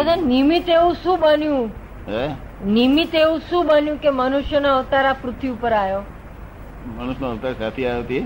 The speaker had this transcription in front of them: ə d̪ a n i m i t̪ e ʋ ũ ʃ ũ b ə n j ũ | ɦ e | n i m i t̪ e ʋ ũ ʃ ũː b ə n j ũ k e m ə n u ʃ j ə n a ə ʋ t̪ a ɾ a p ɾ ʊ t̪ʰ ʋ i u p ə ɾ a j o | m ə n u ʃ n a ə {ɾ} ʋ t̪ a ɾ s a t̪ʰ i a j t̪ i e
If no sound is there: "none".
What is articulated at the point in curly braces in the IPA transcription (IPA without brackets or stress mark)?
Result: none